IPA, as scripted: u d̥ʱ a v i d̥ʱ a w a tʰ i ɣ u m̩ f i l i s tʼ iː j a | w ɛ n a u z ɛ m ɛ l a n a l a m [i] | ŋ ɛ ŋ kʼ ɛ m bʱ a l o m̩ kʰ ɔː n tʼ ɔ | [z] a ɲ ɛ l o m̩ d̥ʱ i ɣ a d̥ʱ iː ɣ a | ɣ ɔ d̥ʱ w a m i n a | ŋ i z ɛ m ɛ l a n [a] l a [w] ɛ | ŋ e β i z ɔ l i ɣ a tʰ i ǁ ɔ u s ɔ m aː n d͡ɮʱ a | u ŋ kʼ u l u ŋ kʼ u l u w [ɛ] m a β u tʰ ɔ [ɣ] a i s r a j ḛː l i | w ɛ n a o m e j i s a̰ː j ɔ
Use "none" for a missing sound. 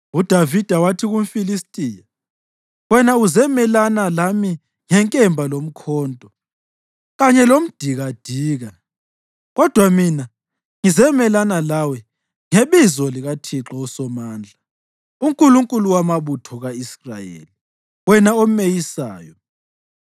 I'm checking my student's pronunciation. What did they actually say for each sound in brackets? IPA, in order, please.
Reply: i, ɣ, a, w, a, ɣ

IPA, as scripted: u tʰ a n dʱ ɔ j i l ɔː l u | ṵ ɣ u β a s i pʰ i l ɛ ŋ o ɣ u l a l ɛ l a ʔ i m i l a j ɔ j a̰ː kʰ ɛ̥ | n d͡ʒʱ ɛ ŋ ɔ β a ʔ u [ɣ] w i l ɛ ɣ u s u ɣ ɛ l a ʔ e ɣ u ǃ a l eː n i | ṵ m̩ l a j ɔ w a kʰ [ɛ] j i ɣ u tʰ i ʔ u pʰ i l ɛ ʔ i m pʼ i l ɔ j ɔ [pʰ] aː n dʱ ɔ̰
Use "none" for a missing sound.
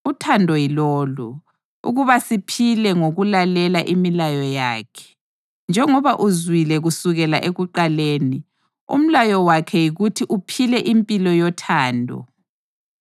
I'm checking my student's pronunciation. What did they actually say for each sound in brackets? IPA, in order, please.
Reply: z, ɛ, tʰ

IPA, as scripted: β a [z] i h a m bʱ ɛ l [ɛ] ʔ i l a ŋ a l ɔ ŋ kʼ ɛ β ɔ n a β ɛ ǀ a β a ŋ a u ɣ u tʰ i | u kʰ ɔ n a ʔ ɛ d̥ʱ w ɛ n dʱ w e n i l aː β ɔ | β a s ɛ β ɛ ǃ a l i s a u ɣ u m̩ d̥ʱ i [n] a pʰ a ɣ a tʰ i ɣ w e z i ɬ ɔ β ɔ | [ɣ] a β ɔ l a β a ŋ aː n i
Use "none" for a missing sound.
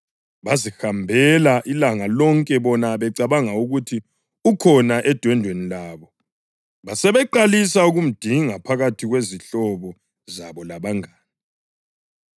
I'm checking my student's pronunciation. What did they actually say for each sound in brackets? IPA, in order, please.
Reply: z, a, ŋ, z

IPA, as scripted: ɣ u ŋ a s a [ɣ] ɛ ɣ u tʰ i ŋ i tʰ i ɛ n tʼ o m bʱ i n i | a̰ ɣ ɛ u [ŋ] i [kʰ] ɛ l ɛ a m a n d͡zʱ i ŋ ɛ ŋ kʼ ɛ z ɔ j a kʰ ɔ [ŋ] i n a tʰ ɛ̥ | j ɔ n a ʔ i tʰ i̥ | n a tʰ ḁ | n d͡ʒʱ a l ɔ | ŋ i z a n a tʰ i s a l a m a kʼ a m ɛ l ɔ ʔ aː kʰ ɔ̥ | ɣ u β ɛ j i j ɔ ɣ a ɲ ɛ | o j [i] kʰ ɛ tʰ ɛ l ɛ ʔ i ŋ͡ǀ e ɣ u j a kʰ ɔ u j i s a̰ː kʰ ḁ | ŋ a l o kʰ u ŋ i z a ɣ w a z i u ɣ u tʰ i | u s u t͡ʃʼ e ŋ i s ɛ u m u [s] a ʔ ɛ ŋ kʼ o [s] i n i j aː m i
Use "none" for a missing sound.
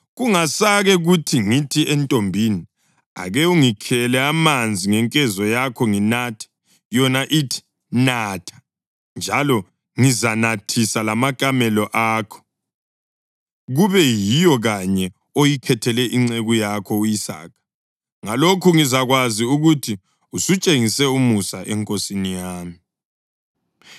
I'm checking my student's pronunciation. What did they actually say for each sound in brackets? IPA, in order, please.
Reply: ɣ, ŋ, kʰ, ŋ, i, s, s

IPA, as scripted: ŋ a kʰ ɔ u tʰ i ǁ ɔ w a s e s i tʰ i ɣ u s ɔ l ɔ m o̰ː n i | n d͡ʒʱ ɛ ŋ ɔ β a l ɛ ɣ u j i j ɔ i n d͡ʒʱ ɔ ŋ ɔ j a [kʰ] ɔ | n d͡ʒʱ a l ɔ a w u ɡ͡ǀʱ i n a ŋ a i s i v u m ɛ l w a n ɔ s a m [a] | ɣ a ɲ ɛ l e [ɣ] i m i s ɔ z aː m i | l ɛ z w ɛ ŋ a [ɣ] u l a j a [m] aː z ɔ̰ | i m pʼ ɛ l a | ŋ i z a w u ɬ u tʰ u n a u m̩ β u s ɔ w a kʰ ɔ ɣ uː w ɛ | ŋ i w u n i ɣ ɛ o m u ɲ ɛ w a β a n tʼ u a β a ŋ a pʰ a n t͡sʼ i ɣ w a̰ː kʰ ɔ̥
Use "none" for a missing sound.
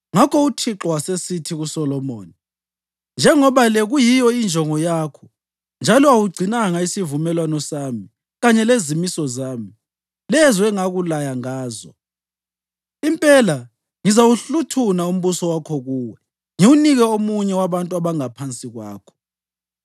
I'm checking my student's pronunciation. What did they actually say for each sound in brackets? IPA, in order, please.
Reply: kʰ, i, z, ɣ, ŋ

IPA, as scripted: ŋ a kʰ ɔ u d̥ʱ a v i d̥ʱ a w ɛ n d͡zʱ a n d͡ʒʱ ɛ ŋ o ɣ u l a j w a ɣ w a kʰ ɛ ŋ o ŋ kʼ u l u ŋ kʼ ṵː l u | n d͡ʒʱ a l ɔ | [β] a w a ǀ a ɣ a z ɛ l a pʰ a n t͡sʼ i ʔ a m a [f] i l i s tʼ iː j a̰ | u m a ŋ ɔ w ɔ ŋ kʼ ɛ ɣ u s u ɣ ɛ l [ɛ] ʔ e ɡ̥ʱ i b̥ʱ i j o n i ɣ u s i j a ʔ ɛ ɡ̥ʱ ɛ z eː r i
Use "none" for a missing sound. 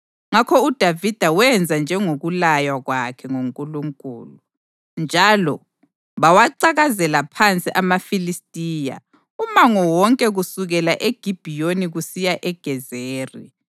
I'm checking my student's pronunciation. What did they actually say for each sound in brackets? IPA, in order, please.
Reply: β, f, a

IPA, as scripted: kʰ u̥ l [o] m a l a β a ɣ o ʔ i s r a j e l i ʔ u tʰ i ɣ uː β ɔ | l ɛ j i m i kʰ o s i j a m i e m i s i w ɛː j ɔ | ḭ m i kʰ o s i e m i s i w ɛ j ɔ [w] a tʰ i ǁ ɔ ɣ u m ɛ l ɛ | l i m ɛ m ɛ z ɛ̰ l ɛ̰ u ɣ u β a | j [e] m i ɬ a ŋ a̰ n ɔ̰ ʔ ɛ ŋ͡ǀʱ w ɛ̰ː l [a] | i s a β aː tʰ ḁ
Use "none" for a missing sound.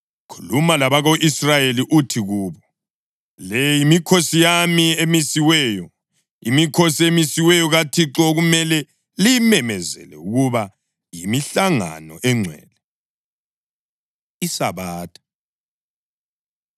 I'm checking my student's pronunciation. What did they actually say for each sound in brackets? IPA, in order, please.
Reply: u, ɣ, i, ɛ

